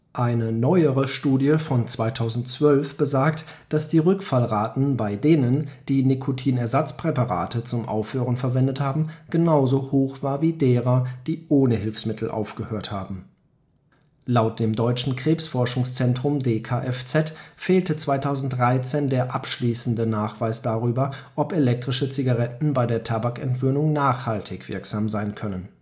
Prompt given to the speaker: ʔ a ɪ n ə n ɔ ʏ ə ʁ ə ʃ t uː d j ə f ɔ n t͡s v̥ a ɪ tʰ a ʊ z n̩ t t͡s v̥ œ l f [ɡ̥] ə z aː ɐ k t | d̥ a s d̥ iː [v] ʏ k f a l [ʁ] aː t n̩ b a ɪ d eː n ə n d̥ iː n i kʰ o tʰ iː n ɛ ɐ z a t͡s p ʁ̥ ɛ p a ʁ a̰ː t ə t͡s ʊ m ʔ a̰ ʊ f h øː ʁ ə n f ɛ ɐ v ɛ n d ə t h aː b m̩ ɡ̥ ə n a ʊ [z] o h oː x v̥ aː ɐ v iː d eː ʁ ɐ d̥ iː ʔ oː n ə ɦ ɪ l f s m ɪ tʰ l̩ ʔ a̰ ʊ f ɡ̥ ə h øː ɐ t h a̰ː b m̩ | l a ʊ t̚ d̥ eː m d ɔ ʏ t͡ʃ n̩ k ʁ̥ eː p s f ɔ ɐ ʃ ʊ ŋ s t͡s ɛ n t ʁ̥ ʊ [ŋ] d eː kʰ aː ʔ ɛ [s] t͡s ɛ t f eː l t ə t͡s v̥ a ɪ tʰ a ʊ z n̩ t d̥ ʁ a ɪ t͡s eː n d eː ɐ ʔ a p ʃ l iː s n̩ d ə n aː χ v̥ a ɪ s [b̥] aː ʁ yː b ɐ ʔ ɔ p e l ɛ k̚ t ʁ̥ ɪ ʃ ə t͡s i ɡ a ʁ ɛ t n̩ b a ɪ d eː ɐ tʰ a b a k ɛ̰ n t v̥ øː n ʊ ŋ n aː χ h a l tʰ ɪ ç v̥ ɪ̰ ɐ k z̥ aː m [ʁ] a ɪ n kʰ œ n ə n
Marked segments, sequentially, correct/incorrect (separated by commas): incorrect, incorrect, correct, correct, incorrect, incorrect, incorrect, incorrect